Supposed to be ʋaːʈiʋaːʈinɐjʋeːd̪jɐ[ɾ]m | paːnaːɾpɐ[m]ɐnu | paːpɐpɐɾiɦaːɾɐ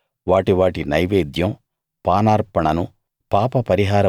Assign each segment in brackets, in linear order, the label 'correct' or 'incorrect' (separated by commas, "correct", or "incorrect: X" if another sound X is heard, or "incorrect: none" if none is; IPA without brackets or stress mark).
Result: incorrect: none, incorrect: ɳ